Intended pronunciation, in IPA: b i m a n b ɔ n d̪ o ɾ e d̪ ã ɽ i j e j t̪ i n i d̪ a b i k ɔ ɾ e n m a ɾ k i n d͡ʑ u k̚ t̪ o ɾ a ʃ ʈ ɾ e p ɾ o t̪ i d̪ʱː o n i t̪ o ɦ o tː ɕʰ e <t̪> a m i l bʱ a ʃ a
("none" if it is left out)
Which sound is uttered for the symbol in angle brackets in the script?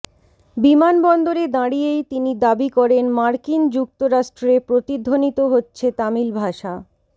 t̪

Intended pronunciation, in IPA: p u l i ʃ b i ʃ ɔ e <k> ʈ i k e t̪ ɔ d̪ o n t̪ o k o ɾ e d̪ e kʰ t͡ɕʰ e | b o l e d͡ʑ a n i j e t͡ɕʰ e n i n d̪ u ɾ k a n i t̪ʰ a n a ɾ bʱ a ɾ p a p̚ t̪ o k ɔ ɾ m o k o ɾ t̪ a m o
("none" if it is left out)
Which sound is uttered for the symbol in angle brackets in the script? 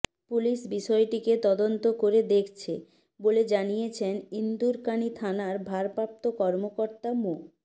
none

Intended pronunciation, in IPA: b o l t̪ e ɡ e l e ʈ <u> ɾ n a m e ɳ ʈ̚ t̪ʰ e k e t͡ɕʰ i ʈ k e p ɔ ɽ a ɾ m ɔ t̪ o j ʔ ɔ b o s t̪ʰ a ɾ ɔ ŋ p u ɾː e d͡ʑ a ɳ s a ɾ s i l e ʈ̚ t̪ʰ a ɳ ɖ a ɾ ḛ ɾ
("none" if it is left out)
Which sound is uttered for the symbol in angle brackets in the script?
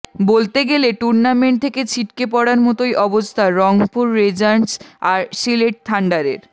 u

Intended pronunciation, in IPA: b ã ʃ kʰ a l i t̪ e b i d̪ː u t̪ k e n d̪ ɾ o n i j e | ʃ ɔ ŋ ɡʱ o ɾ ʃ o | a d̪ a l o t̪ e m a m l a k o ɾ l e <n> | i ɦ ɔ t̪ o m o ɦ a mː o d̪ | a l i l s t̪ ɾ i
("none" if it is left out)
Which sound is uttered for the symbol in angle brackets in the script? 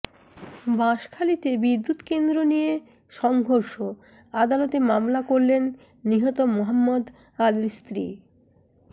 nː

